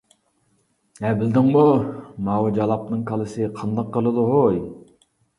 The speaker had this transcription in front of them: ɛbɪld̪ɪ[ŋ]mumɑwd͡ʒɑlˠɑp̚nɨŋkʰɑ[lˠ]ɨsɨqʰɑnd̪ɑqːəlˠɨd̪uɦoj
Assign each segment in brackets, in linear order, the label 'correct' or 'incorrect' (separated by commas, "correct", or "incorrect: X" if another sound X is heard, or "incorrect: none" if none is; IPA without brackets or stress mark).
correct, correct